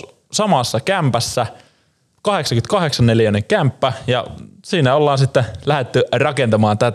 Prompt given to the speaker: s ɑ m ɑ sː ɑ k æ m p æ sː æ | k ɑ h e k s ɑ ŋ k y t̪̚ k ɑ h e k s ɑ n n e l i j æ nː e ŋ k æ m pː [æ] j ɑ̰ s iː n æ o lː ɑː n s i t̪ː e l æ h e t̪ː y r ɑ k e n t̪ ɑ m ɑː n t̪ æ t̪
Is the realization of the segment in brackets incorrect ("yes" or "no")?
no